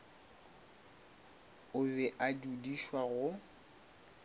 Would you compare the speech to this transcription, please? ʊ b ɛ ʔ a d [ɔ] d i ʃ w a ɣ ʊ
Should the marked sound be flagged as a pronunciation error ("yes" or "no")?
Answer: yes